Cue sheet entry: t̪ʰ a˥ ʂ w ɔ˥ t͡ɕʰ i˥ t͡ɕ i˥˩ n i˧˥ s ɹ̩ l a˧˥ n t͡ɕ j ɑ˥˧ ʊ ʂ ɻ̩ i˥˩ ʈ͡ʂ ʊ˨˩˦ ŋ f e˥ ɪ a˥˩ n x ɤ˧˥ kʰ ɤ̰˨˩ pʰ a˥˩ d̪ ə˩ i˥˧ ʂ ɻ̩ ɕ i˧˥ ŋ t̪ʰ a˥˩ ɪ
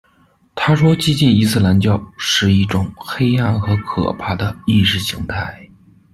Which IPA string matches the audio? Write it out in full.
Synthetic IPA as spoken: t̪ʰ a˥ ʂ w ɔ˥ t͡ɕ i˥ t͡ɕ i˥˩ n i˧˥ s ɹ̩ l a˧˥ n t͡ɕ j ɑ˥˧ ʊ ʂ ɻ̩ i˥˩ ʈ͡ʂ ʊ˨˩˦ ŋ x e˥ ɪ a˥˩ n x ɤ˧˥ kʰ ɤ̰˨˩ pʰ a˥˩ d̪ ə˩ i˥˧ ʂ ɻ̩ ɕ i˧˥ ŋ t̪ʰ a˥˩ ɪ